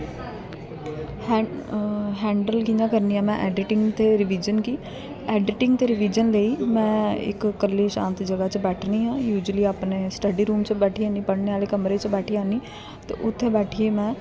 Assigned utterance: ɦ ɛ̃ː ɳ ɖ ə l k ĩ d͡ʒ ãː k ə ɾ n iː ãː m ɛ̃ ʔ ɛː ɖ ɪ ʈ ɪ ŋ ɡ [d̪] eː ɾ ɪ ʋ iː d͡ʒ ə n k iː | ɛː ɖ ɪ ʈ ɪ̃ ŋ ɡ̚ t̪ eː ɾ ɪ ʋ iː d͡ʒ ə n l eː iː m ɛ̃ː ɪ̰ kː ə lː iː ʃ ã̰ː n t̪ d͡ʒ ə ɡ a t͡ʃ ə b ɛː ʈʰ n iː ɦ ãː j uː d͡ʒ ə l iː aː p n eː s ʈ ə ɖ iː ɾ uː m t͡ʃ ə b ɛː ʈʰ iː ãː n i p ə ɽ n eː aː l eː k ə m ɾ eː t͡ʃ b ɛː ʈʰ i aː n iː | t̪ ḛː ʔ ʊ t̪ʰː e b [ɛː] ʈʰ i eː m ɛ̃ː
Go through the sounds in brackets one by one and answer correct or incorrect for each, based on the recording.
incorrect, correct

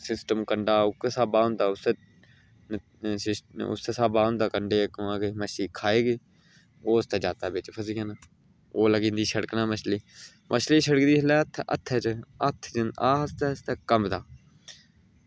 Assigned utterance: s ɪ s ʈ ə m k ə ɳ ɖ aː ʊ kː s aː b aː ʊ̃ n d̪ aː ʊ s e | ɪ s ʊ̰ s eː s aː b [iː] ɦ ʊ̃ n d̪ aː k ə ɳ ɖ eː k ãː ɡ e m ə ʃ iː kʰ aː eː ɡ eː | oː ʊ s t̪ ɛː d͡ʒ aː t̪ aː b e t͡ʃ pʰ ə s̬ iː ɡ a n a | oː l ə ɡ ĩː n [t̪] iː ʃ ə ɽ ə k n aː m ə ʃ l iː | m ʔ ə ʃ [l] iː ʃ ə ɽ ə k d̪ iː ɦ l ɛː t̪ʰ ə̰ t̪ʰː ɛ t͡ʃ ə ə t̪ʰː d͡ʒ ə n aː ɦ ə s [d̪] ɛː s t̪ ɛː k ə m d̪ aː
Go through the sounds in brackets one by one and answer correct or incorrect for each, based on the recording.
incorrect, incorrect, correct, incorrect

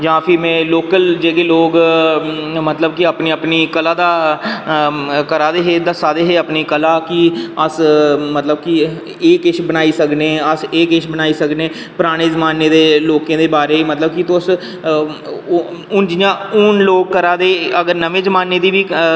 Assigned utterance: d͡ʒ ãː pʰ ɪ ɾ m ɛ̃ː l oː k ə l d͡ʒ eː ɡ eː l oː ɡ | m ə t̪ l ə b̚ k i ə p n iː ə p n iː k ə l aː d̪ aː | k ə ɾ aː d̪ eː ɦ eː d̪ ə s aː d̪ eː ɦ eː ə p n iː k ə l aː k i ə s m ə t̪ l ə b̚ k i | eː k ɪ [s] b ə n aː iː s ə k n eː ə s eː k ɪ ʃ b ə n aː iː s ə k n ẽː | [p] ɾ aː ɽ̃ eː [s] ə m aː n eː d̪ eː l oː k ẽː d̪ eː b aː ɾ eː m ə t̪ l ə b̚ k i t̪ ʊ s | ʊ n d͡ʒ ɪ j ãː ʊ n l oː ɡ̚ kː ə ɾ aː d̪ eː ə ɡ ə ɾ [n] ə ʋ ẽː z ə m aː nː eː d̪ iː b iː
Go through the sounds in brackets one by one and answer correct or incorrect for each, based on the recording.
incorrect, correct, incorrect, correct

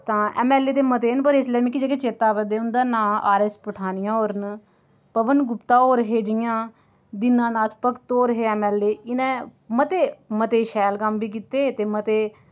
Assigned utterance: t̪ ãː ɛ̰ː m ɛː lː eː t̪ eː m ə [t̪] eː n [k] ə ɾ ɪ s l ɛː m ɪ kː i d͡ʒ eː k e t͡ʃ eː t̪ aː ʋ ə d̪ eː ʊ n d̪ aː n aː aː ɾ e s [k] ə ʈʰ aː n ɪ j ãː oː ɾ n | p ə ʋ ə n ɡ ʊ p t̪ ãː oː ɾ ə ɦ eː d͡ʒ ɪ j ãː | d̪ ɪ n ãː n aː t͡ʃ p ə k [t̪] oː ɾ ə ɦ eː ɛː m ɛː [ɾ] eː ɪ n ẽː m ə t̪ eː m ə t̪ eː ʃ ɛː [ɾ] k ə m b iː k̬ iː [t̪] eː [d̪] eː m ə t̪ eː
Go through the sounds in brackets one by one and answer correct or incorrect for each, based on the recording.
correct, incorrect, incorrect, correct, incorrect, incorrect, correct, incorrect

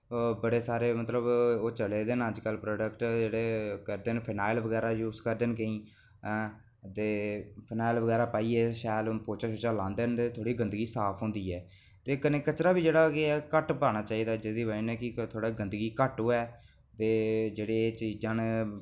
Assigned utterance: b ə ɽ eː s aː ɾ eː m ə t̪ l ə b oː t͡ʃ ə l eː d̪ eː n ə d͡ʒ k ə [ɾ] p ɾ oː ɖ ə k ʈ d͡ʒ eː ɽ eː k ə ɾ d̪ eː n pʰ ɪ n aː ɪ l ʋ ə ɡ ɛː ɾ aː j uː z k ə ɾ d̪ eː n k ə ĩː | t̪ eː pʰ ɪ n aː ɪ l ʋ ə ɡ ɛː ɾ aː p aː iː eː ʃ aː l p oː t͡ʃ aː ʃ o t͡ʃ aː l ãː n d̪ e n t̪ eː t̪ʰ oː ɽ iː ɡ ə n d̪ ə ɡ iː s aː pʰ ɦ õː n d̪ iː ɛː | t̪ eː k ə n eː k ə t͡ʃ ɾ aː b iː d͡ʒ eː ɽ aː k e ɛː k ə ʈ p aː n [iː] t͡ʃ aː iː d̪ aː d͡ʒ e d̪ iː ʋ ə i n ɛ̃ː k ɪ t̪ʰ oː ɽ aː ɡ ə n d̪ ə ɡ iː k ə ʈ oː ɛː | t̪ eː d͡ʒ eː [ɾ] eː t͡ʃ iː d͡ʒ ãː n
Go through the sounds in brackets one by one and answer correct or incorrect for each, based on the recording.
incorrect, incorrect, incorrect

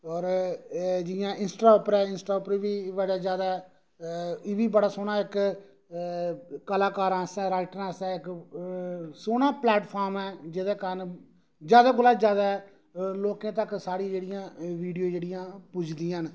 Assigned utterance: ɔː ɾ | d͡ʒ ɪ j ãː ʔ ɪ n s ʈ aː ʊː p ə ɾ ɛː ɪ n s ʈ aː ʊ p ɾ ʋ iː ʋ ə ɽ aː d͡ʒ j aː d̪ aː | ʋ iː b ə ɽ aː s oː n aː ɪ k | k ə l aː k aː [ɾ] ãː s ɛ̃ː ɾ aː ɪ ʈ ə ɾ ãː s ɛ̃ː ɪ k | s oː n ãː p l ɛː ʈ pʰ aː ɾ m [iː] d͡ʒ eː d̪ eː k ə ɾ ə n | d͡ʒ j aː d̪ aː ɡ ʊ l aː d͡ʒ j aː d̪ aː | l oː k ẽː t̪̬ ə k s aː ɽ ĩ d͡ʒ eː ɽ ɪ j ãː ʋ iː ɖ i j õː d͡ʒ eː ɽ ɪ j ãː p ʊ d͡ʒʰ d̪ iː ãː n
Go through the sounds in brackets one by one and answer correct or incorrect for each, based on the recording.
correct, incorrect

